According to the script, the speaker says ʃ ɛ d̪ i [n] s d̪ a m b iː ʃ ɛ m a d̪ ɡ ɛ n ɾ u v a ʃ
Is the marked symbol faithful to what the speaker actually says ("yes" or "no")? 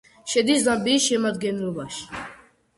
no